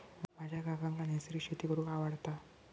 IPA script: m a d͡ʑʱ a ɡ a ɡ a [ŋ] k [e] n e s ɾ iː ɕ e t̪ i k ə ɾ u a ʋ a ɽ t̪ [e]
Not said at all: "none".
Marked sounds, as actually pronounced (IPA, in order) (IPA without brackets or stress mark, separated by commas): ŋ, a, a